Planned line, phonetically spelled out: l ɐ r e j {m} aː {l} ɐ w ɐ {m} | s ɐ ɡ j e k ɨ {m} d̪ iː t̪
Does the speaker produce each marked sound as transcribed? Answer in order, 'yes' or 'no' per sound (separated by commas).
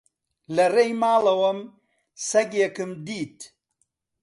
yes, yes, yes, yes